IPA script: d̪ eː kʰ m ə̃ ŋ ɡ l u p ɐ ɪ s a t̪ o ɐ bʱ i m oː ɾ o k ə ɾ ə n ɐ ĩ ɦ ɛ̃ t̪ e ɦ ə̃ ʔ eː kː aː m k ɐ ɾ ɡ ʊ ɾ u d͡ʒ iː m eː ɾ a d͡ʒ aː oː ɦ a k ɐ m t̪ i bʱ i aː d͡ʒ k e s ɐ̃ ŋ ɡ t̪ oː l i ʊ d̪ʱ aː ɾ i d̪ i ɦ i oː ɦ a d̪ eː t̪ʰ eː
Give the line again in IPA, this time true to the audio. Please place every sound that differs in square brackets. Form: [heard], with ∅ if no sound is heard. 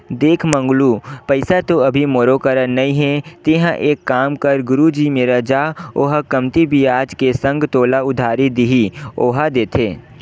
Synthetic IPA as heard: d̪ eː kʰ m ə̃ ŋ ɡ l u p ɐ ɪ s a t̪ o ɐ bʱ i m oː ɾ o k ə ɾ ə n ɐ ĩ ɦ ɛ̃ t̪ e ɦ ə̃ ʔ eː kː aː m k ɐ ɾ ɡ ʊ ɾ u d͡ʒ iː m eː ɾ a d͡ʒ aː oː ɦ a k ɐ m t̪ i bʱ i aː d͡ʒ k e s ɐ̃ ŋ ɡ t̪ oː l [a] ʊ d̪ʱ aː ɾ i d̪ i ɦ i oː ɦ a d̪ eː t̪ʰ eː